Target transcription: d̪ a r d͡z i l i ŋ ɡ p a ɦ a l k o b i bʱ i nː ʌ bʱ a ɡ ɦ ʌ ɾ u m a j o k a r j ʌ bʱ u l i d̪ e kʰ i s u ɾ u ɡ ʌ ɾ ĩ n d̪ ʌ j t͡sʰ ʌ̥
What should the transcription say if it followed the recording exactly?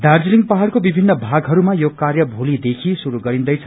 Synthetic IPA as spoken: d̪ a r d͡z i l i ŋ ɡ p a ɦ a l k o b i bʱ i nː ʌ bʱ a ɡ ɦ ʌ ɾ u m a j o k a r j ʌ bʱ u l i d̪ e kʰ i s u ɾ u ɡ ʌ ɾ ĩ n d̪ ʌ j t͡sʰ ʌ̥